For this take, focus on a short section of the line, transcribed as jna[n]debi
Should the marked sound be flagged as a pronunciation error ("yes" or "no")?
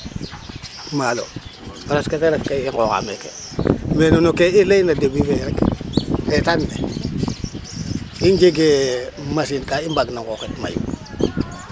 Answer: yes